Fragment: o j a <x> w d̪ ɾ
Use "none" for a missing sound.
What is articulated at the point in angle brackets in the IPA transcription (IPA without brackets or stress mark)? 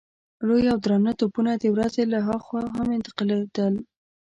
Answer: none